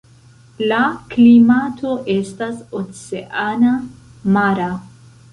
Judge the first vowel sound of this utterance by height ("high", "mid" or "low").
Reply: low